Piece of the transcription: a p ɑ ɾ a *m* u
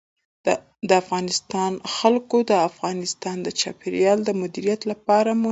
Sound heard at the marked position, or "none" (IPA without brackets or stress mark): m